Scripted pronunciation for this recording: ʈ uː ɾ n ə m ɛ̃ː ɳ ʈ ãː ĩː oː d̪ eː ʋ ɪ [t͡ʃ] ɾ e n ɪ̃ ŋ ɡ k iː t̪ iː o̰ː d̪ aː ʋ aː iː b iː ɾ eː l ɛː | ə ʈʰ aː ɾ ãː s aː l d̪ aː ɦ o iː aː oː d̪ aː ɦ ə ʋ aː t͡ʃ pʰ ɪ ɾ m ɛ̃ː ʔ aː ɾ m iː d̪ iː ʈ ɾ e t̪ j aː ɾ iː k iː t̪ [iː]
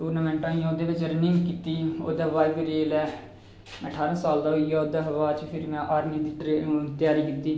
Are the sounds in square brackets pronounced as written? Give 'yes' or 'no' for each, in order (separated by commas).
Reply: yes, yes